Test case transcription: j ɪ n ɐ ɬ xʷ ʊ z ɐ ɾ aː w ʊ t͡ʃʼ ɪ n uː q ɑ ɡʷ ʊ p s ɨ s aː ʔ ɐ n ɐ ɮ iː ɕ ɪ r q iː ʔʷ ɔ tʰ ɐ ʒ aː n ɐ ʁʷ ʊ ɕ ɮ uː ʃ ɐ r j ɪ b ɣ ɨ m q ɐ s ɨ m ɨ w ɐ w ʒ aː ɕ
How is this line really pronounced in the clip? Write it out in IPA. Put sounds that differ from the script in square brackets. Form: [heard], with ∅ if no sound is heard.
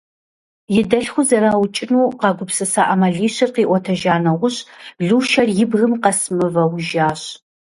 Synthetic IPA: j ɪ [d] ɐ ɬ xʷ ʊ z ɐ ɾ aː w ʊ t͡ʃʼ ɪ n uː q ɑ ɡʷ ʊ p s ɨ s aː ʔ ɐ [m] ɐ ɮ iː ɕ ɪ r q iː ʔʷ ɔ tʰ ɐ ʒ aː n ɐ ʁʷ ʊ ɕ ɮ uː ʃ ɐ r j ɪ b ɣ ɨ m q ɐ s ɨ m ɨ [v] ɐ w ʒ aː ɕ